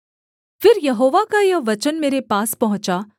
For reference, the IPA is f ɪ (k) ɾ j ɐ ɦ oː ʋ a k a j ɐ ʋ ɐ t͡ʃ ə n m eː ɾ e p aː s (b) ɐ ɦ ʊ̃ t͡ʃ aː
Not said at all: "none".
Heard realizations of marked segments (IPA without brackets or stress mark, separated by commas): none, p